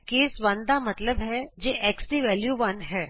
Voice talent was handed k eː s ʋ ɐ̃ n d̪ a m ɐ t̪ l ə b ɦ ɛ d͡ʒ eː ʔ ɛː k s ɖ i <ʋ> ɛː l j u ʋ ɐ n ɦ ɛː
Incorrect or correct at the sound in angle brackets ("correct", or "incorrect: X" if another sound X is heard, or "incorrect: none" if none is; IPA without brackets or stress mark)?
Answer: correct